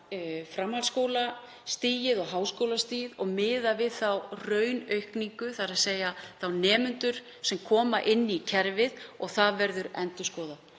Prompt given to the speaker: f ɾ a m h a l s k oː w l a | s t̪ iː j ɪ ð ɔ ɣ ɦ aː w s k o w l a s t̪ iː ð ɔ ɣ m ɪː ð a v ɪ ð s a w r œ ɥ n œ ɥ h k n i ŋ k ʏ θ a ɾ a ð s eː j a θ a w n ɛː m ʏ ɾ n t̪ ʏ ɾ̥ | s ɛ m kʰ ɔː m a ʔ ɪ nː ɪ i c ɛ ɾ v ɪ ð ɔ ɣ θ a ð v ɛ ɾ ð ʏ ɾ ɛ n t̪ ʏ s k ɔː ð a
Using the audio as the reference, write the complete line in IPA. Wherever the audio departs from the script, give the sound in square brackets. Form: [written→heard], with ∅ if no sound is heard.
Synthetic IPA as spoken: f ɾ a m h a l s k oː w l a | s t̪ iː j ɪ ð ɔ ɣ ɦ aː w s k o w l a s t̪ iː ð ɔ ɣ m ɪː ð a v ɪ ð [s→θ] a w r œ ɥ n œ ɥ h k n i ŋ k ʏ θ a ɾ a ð s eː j a θ a w n ɛː m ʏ [ɾ→∅] n t̪ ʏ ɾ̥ | s ɛ m kʰ ɔː m a ʔ ɪ nː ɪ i [c→cʰ] ɛ ɾ v ɪ ð ɔ ɣ θ a ð v ɛ ɾ ð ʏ ɾ ɛ n t̪ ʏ s k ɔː ð a